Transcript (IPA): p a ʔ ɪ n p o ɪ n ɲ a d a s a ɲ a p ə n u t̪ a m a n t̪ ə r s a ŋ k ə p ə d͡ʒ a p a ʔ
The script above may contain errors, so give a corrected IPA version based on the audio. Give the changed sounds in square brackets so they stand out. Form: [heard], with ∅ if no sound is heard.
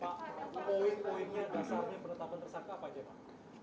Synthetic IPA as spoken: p a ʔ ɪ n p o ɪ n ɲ a d a s a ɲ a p ə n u t̪ a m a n t̪ ə r s a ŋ k [a] p [a] d͡ʒ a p a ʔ